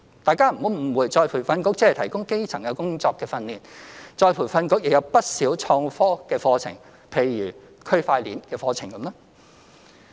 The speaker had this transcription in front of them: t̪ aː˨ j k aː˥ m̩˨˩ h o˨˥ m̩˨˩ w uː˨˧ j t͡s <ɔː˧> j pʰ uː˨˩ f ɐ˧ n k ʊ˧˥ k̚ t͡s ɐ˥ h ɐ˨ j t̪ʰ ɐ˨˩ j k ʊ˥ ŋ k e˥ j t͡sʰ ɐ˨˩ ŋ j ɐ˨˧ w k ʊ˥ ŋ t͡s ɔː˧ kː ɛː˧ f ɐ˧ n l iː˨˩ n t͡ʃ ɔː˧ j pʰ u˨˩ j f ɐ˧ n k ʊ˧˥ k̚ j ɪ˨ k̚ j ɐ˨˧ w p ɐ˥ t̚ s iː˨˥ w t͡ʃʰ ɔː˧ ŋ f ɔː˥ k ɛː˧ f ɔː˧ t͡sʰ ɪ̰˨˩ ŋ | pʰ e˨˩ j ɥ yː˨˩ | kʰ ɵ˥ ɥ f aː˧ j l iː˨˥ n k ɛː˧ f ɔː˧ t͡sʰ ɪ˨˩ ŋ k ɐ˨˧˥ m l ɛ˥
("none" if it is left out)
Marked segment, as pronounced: ɔː˧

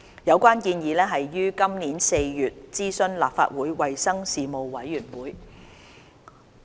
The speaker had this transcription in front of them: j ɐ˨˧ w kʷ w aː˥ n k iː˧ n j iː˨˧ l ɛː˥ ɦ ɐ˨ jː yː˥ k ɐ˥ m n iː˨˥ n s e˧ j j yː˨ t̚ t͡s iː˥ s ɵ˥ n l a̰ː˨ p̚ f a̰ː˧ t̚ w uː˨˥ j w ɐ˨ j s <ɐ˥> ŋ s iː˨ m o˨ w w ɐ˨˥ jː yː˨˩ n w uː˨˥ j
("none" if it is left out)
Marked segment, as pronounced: ɐ˥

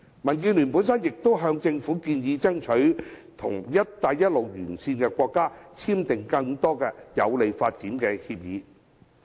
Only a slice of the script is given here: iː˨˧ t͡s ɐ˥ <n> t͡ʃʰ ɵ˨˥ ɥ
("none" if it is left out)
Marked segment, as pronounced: ŋ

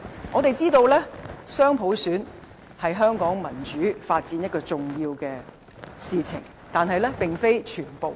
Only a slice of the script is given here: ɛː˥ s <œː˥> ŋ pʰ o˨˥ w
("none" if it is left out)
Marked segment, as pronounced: œː˥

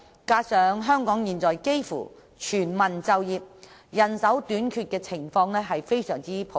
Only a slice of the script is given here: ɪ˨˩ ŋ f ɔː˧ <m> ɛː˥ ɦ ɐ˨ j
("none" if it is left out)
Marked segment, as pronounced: ŋ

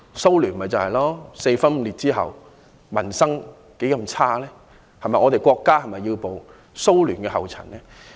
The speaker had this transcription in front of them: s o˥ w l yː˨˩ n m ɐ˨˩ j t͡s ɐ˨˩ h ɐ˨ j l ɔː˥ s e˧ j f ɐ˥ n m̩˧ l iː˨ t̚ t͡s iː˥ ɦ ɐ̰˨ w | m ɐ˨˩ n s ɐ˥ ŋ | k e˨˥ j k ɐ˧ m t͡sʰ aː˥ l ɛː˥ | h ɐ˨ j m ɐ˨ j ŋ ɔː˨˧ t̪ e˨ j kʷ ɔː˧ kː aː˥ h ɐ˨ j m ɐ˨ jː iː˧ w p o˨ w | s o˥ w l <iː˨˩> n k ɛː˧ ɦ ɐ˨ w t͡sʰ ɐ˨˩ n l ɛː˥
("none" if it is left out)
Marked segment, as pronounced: yː˨˩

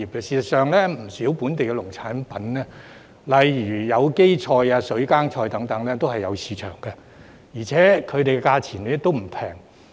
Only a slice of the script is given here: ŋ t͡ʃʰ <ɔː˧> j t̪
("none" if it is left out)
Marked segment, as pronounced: ɔː˧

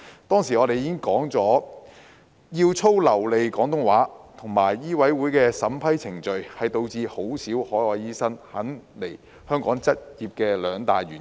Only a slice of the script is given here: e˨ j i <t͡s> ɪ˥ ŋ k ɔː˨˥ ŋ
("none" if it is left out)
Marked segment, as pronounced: none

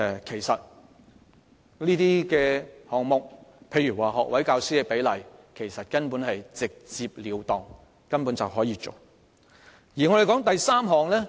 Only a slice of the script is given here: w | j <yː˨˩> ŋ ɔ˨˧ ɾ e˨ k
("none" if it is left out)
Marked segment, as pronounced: iː˨˩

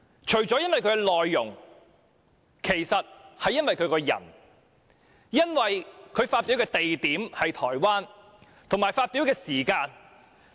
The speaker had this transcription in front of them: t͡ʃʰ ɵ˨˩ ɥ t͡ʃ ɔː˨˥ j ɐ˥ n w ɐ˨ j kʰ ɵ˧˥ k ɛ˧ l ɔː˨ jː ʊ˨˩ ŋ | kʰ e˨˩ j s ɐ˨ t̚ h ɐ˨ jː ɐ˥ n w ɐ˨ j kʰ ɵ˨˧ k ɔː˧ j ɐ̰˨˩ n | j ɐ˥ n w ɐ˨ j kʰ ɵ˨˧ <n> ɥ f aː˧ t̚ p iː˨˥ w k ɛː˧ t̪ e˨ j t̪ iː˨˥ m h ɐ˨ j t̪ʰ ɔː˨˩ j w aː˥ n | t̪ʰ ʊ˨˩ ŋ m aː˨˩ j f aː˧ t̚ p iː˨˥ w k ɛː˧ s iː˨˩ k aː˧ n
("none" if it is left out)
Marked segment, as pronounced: none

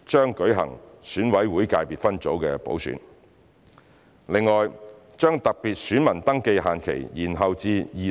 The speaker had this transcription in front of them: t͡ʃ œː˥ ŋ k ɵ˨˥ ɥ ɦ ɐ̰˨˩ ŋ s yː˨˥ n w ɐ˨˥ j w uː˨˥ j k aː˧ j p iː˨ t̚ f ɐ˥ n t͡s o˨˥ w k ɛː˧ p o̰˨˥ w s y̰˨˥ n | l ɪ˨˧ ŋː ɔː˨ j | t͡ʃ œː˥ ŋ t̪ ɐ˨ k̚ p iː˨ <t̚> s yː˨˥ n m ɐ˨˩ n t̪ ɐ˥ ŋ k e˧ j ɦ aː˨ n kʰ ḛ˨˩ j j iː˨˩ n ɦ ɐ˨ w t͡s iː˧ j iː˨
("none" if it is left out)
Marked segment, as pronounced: t̚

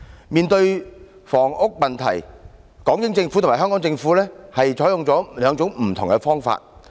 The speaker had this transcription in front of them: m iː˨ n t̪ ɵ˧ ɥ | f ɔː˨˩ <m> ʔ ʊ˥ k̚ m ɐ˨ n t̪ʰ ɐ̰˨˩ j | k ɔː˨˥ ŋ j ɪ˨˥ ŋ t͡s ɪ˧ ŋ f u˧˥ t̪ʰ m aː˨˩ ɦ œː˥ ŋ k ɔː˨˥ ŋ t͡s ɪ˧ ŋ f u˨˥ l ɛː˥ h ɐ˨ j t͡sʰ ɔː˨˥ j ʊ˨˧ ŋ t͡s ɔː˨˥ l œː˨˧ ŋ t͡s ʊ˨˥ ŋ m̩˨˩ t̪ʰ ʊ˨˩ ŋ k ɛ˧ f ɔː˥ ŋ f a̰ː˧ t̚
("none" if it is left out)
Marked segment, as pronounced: ŋ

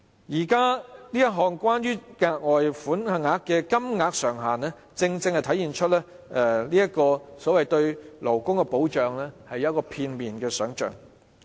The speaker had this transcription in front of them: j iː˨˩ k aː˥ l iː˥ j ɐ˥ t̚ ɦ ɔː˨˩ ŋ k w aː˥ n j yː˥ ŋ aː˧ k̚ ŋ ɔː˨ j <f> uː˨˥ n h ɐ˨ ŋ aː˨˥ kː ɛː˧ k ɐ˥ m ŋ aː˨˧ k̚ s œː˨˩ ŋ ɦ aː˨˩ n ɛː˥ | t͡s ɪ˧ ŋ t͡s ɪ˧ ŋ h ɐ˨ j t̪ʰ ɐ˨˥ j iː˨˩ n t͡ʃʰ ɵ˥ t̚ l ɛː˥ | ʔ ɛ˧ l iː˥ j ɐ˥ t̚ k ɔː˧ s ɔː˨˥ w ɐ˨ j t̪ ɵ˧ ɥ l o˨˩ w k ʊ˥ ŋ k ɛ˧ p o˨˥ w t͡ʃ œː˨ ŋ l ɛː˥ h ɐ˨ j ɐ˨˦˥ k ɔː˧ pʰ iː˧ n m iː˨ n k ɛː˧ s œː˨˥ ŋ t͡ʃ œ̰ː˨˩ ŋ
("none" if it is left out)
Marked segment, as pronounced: f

